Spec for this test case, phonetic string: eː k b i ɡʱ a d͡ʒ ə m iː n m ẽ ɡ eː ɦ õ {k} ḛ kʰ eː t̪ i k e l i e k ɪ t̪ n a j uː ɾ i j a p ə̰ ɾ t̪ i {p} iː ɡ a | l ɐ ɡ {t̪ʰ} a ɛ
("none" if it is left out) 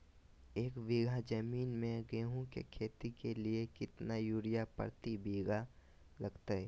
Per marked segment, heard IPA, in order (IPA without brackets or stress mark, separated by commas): k, b, t̪